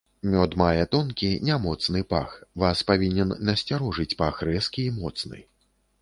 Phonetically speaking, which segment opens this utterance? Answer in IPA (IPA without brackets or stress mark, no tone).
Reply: mʲ